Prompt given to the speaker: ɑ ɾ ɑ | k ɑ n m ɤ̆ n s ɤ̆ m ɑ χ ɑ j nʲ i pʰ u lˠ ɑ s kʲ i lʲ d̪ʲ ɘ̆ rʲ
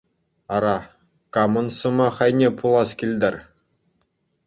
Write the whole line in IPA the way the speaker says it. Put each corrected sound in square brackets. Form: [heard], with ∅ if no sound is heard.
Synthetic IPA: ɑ ɾ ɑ | k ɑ [∅] m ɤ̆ n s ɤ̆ m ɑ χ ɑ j nʲ [e] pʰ u lˠ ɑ s kʲ i lʲ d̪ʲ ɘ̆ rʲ